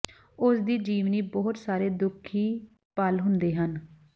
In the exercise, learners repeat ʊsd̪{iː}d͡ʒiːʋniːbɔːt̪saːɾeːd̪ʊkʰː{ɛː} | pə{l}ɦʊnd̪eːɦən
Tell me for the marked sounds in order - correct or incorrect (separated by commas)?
correct, incorrect, correct